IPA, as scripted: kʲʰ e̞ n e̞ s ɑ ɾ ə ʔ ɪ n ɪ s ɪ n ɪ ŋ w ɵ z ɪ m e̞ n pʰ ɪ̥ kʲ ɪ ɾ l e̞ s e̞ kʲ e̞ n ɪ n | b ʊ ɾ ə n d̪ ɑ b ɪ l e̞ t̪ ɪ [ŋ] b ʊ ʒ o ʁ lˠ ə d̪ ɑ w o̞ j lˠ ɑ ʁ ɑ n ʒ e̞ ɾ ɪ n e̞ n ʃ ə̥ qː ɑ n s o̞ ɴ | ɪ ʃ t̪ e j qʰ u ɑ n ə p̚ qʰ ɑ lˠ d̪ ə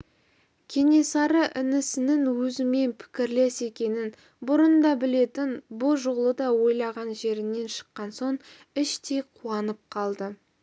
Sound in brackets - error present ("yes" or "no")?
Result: yes